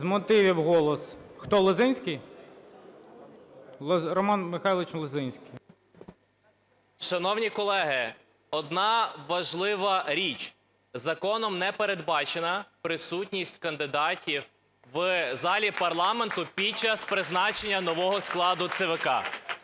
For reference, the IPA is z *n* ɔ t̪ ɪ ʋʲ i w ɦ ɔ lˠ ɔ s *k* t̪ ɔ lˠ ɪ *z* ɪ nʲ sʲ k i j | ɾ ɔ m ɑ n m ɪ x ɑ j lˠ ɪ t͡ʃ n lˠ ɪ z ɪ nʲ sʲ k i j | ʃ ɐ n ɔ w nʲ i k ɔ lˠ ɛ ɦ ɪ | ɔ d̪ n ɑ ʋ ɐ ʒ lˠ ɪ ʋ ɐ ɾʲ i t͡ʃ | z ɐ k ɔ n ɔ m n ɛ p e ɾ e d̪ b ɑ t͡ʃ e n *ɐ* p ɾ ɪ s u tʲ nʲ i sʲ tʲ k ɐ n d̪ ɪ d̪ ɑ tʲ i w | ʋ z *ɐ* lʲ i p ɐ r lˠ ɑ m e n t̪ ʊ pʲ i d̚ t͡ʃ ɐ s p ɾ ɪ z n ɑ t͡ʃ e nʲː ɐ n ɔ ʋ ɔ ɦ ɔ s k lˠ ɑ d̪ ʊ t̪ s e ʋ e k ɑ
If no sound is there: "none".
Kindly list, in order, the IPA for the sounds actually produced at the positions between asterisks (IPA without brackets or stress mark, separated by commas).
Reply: m, x, z, ɐ, ɑ